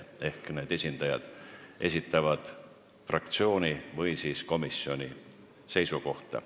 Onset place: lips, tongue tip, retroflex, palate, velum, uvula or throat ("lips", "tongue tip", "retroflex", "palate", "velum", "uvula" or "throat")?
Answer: throat